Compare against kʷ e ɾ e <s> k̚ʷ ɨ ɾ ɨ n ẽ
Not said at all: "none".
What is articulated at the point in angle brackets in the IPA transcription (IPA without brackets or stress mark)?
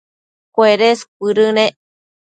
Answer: s